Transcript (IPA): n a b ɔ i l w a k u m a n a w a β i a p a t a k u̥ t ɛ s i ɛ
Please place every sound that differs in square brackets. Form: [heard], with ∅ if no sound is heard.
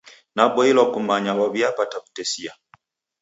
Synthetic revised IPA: n a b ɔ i l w a k u m a [ɲ] a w a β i a p a t a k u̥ t ɛ s i [a]